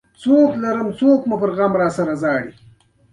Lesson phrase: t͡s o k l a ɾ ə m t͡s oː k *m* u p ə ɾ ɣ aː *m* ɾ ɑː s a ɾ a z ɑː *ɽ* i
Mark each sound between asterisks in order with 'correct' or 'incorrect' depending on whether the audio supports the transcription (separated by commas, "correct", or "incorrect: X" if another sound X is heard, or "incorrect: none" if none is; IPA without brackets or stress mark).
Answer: correct, correct, correct